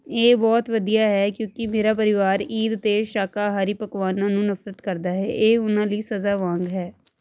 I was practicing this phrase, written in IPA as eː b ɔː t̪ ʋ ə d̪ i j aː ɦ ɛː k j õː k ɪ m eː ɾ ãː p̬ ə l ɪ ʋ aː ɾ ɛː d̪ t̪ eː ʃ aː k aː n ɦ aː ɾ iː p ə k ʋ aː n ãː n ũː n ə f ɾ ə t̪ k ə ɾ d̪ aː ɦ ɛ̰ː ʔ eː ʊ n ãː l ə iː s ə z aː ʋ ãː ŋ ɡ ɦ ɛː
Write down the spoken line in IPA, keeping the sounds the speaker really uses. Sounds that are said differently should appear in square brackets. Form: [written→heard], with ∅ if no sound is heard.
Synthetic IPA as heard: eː b ɔː t̪ ʋ ə d̪ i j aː ɦ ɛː k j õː k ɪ m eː ɾ [ãː→aː] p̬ ə [l→ɾ] ɪ ʋ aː ɾ [ɛː→iː] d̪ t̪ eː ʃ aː k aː [n→∅] ɦ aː ɾ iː p ə k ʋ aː n ãː n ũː n ə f ɾ ə t̪ k ə ɾ d̪ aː ɦ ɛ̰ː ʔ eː ʊ n ãː l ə iː s ə z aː ʋ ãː ŋ ɡ ɦ ɛː